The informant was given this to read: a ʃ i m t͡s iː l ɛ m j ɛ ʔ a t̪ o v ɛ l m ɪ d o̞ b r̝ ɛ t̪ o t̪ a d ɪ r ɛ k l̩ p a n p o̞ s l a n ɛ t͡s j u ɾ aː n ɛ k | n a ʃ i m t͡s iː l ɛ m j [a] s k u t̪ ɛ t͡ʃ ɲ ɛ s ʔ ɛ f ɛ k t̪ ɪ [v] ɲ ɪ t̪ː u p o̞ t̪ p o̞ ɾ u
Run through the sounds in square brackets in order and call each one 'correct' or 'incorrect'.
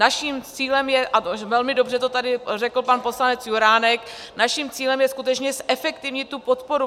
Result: incorrect: ɛ, correct

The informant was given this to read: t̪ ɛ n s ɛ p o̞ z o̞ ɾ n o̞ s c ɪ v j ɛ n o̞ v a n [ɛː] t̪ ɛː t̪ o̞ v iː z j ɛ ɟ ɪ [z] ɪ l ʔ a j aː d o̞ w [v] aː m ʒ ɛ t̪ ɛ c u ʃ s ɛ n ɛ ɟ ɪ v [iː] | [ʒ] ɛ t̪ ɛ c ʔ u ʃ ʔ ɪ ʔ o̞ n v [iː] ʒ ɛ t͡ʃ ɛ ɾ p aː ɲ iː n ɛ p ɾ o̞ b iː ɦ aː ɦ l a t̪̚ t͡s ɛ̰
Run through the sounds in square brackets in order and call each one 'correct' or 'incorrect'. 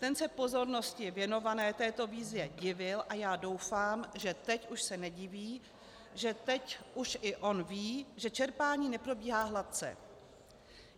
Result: correct, incorrect: v, incorrect: f, correct, correct, correct

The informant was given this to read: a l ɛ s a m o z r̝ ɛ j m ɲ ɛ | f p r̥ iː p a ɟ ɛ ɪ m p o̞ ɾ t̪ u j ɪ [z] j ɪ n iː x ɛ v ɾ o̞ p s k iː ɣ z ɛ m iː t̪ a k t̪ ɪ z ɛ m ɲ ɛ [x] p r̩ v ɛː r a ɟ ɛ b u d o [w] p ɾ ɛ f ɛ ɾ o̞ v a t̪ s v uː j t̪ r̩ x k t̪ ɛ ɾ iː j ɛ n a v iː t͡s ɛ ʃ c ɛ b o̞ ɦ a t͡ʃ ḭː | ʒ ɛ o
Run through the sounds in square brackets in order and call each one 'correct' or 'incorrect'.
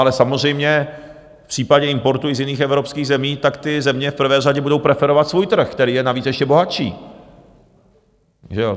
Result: correct, incorrect: f, correct

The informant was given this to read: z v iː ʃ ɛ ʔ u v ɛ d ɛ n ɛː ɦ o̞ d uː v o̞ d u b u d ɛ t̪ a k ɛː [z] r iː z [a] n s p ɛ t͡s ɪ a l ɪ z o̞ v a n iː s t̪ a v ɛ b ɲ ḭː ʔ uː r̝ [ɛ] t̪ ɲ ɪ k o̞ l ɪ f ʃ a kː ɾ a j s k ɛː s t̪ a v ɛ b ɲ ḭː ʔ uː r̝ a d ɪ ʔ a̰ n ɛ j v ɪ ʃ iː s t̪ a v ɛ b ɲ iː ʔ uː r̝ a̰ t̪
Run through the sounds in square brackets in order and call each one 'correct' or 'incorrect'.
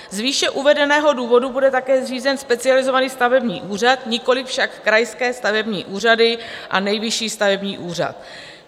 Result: correct, incorrect: ɛ, incorrect: a

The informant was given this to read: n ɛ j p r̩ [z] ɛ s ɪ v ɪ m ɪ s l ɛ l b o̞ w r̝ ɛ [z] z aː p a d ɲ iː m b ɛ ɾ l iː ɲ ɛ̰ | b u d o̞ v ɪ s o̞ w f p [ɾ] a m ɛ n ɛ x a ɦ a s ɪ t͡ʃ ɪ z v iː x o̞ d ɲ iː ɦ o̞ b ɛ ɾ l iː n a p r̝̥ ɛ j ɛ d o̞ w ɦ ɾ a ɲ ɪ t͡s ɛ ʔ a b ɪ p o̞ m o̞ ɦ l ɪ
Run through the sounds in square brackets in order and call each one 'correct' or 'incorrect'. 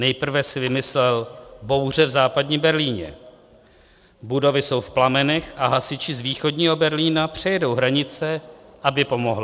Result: incorrect: v, incorrect: v, incorrect: l

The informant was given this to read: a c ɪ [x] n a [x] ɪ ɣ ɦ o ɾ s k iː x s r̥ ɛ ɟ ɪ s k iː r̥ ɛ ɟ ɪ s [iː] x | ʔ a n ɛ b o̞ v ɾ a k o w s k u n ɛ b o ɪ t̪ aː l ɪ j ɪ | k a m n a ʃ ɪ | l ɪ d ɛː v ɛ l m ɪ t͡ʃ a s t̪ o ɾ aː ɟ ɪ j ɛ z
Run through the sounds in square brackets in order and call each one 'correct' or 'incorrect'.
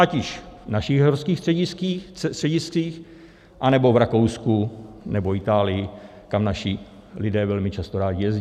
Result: incorrect: ʃ, incorrect: ʃ, correct

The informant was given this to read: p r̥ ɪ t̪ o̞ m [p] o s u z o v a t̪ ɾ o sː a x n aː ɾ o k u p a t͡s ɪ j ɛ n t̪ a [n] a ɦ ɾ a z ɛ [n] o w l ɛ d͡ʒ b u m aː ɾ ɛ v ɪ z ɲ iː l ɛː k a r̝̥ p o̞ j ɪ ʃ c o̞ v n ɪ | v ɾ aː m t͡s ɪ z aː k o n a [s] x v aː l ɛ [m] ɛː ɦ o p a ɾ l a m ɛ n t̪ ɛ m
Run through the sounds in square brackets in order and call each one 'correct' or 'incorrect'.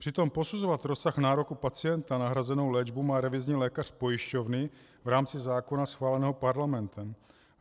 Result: correct, correct, correct, correct, incorrect: n

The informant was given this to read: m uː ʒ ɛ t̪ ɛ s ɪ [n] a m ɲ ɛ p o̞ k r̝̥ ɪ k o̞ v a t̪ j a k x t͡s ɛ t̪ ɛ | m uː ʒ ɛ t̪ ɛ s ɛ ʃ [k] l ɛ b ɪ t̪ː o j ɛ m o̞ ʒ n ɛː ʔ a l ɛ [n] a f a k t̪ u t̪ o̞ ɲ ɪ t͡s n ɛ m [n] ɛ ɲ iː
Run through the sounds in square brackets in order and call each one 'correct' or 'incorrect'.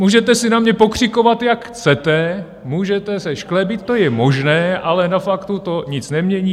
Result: correct, correct, correct, incorrect: ɲ

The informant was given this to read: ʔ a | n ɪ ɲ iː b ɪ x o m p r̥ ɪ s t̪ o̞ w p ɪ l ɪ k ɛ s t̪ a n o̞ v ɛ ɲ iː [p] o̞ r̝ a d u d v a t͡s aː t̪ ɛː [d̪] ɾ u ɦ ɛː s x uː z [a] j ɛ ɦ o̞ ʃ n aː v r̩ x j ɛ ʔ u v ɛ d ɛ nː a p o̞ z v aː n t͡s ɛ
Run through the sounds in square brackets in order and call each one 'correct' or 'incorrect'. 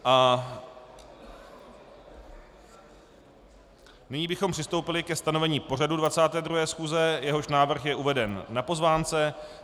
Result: correct, correct, incorrect: ɛ

